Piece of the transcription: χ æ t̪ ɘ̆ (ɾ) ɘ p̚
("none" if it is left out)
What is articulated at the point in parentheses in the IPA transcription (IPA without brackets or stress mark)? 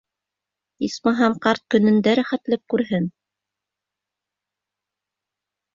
l